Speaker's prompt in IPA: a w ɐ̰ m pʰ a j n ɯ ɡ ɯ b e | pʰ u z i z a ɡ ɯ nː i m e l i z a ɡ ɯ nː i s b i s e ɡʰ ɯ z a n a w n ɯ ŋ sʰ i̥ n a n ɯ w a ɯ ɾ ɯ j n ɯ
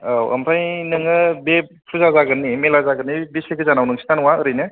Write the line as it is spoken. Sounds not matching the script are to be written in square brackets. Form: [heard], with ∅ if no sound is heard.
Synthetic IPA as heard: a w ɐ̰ m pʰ a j n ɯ [ŋ] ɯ b e | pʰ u z [a] z a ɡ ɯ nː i m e l [a] z a ɡ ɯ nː i [∅] b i s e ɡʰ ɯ z a n a w n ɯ ŋ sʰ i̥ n a n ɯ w a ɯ ɾ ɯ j n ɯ